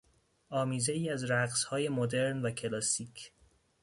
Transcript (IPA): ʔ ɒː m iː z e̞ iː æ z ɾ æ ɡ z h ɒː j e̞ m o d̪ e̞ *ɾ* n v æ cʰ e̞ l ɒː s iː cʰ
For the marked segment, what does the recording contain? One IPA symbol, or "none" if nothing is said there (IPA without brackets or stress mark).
ɾ